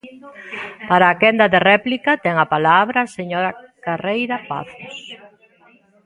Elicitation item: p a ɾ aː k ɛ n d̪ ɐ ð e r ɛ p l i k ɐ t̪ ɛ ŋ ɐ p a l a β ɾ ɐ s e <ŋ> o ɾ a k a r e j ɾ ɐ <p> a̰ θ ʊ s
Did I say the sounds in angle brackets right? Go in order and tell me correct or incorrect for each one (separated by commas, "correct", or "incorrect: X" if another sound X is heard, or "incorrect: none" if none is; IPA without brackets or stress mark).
incorrect: ɲ, correct